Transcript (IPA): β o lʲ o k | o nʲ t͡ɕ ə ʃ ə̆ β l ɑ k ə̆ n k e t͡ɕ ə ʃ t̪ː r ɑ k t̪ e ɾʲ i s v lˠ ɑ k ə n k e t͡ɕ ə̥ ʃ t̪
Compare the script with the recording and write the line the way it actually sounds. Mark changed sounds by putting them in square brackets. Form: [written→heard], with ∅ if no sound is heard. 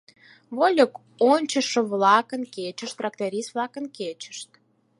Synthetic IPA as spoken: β o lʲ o k | o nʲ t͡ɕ ə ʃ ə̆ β l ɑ k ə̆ n k e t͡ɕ ə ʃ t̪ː r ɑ k t̪ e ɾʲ i s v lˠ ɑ k ə n k e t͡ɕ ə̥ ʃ t̪